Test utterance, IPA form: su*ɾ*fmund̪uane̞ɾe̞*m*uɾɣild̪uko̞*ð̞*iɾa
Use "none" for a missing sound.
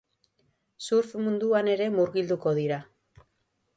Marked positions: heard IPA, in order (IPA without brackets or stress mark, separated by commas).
ɾ, m, ð̞